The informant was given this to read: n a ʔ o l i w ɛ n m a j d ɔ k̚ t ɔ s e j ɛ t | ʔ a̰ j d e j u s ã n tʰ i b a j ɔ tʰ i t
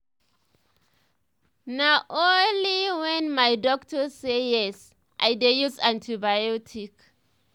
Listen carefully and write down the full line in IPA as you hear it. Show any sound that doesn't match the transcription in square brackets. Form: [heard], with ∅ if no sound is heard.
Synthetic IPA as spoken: n a ʔ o l i w ɛ n m a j d ɔ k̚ t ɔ s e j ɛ [s] | ʔ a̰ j d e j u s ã n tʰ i b a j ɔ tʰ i [k]